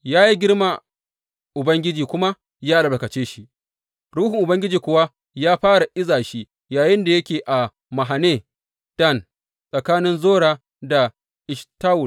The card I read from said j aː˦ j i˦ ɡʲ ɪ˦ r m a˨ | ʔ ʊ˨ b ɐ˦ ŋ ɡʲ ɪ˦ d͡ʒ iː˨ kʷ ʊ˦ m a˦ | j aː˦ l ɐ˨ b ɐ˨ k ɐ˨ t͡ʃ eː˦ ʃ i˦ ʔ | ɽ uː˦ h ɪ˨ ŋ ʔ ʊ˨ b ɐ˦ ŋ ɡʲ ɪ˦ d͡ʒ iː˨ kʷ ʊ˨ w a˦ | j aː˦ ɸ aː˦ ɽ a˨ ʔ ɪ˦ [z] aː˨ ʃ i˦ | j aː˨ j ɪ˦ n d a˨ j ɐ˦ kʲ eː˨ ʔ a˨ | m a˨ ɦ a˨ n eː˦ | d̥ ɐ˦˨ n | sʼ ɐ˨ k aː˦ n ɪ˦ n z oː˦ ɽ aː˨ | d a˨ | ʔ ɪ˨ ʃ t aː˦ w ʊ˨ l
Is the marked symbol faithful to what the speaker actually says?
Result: yes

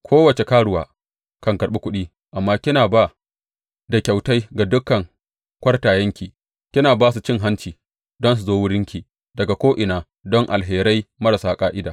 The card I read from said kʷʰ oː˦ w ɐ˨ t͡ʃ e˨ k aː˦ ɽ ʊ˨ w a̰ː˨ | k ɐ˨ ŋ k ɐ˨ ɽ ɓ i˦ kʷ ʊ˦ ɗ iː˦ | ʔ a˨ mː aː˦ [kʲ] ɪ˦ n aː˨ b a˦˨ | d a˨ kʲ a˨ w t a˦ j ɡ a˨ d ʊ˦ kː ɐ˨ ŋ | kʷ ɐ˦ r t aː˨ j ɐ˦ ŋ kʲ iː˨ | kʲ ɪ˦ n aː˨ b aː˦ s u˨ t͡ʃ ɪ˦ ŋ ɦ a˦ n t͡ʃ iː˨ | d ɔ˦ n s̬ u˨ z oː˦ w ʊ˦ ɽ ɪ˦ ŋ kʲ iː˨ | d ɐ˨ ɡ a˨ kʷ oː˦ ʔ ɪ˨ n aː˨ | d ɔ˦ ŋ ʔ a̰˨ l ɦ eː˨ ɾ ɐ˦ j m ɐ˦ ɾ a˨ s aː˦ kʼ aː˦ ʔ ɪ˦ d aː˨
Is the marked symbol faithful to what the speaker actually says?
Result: yes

